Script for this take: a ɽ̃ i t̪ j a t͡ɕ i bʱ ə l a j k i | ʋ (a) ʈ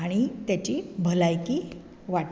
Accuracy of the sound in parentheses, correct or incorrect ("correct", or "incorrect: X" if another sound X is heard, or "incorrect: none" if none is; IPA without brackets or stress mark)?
correct